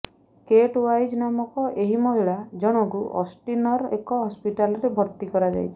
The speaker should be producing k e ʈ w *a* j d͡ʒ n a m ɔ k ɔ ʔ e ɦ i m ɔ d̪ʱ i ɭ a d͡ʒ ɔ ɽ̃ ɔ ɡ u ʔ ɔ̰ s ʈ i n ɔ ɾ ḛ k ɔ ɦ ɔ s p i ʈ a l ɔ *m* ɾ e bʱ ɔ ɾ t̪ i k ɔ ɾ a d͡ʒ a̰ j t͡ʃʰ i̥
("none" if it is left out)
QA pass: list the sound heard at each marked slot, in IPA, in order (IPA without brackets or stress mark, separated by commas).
a, none